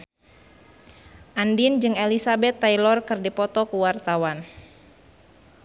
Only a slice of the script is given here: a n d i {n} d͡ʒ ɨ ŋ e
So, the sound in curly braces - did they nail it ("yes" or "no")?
yes